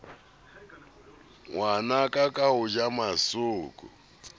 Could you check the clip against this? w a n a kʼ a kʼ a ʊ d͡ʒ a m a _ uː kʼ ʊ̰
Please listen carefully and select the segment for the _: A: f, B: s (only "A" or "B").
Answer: B